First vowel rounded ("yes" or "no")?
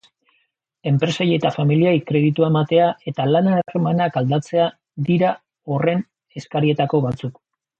no